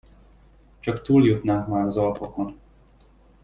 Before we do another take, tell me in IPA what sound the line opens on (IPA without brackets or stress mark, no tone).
t͡ʃ